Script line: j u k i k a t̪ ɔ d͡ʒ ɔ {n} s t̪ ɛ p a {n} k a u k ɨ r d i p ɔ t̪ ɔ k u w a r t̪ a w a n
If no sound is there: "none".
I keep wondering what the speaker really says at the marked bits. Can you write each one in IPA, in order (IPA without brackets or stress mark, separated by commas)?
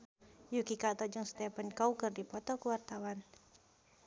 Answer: ŋ, n